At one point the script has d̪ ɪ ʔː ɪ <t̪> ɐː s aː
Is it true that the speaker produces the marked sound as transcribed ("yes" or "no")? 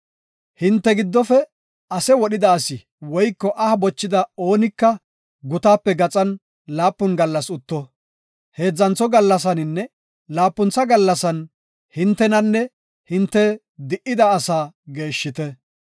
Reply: no